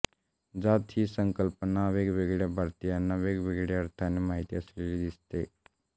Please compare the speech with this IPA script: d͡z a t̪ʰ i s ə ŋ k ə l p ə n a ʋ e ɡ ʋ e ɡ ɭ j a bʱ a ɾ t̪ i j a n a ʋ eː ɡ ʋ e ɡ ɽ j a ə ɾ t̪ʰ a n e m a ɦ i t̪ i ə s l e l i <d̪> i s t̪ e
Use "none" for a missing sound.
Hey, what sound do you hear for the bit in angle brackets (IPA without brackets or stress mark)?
d̪